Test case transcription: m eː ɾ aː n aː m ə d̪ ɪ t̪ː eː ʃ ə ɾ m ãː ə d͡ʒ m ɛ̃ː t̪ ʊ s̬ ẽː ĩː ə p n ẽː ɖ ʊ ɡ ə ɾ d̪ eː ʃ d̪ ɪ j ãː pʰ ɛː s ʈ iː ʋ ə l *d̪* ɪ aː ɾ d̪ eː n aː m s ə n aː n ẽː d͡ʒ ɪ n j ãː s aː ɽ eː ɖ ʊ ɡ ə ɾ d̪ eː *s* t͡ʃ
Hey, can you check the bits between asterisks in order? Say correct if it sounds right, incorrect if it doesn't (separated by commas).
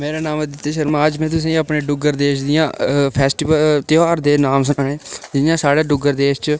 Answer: incorrect, incorrect